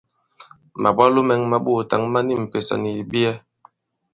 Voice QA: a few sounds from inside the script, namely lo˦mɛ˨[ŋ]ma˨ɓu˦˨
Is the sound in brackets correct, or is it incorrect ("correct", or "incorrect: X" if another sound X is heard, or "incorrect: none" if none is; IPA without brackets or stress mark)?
correct